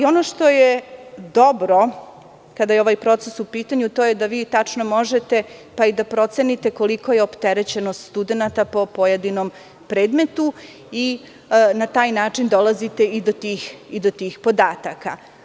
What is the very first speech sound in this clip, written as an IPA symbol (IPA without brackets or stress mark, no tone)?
o̞